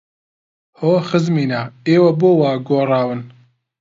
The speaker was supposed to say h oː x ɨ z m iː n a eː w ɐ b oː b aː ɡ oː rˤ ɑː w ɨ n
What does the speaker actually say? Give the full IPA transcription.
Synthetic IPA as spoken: h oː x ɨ z m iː n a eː w ɐ b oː w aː ɡ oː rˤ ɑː w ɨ n